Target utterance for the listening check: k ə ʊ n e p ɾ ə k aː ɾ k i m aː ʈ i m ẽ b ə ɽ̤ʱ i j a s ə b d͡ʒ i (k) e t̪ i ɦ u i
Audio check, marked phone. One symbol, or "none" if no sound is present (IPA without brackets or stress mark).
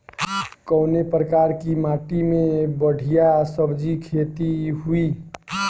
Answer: kʰ